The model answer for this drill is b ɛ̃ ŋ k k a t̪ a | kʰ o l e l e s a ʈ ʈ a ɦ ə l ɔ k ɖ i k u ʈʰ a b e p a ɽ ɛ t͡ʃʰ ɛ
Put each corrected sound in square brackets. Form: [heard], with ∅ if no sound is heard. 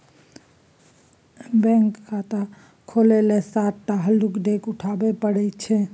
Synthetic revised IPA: b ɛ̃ ŋ k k a t̪ a | kʰ o l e l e s a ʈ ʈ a ɦ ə l [u] k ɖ [e] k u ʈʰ a b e p [ə] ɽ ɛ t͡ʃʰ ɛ